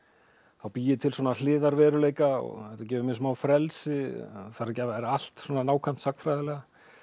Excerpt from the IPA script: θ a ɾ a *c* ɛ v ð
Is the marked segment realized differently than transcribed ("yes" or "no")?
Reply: no